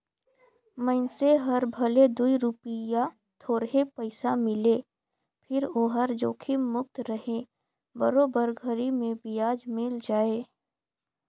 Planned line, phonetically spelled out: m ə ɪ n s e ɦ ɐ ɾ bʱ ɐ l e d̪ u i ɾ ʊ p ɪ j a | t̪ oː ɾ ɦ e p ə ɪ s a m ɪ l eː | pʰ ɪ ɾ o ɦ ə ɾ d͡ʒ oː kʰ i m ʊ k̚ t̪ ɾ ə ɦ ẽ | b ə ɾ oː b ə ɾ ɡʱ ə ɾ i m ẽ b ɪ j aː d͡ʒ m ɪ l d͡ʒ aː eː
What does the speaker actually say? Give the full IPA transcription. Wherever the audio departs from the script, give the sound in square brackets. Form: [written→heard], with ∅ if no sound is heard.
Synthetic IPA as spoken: m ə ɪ n s e ɦ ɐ ɾ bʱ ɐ l e d̪ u i ɾ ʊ p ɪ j a | [t̪→t̪ʰ] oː ɾ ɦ e p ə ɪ s a m ɪ l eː | pʰ ɪ ɾ o ɦ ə ɾ d͡ʒ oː kʰ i m ʊ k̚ t̪ ɾ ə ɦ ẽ | b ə ɾ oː b ə ɾ ɡʱ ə ɾ i m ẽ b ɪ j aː d͡ʒ m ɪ l d͡ʒ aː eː